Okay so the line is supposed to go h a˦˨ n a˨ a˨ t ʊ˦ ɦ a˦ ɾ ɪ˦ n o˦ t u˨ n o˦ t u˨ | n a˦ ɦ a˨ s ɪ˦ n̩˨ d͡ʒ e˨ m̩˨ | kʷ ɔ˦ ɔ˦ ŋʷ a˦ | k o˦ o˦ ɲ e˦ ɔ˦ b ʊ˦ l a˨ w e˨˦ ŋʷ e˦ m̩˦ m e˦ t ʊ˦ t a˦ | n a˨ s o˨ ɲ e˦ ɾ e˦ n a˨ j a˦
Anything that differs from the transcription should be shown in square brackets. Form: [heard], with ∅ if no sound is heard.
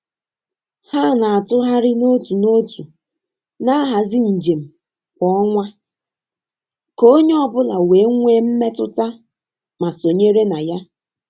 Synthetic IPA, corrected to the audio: h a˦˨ n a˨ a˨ t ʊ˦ ɦ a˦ ɾ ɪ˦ n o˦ t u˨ n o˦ t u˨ | n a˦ ɦ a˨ [z] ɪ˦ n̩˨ d͡ʒ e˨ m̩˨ | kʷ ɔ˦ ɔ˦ ŋʷ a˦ | k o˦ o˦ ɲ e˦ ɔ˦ b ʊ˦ l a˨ w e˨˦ ŋʷ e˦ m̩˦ m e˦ t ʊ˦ t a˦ | [m] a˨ s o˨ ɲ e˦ ɾ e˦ n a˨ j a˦